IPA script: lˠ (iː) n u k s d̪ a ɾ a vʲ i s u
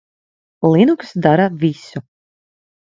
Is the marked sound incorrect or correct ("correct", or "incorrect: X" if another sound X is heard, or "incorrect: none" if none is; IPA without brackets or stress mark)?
incorrect: i